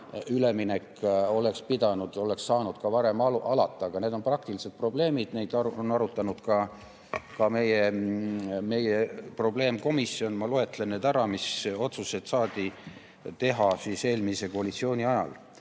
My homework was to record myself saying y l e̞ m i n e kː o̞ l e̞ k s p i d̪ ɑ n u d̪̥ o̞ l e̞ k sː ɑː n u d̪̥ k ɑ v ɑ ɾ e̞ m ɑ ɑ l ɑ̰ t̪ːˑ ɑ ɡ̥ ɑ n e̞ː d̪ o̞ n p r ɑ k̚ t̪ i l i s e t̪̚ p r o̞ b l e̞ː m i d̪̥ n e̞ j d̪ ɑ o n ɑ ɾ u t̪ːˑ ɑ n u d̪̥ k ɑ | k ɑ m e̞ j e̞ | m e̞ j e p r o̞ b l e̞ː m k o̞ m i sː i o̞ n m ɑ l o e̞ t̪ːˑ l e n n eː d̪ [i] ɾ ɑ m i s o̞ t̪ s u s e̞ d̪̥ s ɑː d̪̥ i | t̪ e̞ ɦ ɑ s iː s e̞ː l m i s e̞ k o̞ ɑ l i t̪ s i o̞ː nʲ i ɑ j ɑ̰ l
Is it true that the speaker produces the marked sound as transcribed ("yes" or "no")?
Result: no